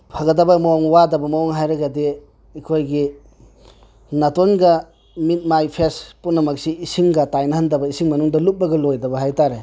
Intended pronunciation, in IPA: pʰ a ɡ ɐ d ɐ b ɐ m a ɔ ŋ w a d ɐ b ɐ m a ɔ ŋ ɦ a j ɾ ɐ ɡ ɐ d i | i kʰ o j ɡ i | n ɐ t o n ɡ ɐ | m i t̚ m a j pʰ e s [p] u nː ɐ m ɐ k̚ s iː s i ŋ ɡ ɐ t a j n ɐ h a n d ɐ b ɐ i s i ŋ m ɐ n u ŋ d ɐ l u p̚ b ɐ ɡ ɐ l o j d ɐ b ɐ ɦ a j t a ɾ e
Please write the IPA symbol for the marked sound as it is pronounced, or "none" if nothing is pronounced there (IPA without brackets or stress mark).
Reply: p